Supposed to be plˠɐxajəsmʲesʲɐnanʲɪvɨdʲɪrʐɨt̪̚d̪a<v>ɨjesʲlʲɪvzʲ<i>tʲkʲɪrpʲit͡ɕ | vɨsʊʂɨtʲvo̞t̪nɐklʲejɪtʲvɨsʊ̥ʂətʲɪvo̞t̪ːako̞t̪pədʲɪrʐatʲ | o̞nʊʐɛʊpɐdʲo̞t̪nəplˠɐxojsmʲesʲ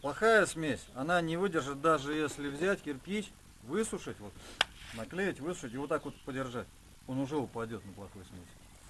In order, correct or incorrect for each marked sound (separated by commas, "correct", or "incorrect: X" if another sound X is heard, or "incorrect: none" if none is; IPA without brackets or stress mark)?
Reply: incorrect: ʐ, incorrect: æ